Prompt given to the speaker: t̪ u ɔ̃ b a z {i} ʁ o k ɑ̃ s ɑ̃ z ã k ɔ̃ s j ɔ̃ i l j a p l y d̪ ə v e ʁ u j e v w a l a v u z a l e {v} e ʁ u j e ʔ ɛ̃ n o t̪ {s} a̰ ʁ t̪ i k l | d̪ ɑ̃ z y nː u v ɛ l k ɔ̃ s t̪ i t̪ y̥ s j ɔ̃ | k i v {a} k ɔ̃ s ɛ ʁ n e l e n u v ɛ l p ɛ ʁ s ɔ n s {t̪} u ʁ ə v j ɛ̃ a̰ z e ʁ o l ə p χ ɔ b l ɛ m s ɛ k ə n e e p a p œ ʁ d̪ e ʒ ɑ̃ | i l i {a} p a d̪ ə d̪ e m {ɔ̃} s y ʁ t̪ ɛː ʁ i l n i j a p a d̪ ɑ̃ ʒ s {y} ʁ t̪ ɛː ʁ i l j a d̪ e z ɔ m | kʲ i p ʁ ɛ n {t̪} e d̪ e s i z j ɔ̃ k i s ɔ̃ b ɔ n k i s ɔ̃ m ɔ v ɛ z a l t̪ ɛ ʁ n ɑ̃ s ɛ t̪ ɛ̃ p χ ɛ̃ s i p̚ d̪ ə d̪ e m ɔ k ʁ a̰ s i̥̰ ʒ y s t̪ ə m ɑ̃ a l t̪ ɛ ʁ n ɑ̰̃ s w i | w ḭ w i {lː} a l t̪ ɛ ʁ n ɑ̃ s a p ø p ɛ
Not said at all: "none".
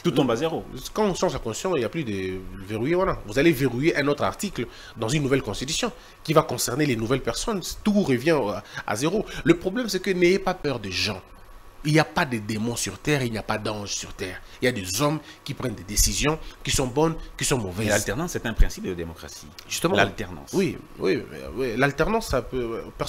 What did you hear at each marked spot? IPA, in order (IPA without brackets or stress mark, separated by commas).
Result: e, v, χ, a, t̪, a, ɔ̃, y, d̪, l